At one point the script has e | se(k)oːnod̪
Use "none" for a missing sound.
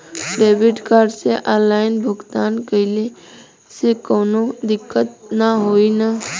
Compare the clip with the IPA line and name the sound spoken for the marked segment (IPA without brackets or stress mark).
k